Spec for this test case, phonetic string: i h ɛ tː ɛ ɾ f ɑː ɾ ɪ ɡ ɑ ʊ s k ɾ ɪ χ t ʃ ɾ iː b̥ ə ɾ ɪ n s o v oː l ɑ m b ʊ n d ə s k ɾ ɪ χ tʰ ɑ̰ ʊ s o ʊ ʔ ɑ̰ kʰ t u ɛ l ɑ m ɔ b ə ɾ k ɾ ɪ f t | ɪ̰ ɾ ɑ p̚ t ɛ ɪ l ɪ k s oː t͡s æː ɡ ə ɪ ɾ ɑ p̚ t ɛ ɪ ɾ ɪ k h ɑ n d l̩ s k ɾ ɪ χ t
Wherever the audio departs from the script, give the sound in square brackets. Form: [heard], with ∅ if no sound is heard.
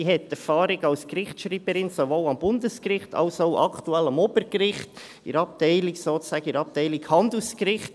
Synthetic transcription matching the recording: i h ɛ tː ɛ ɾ f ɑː ɾ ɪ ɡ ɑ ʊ s k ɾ ɪ χ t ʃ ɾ iː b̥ ə ɾ ɪ n s o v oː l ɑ m b ʊ n d ə s k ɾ ɪ χ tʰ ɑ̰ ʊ s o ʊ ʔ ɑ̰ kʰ t u ɛ l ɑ m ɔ b ə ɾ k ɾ ɪ [χ] t | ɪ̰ ɾ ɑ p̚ t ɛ ɪ l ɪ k s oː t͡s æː ɡ ə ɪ ɾ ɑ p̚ t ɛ ɪ [l] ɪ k h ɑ n d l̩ s k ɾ ɪ χ t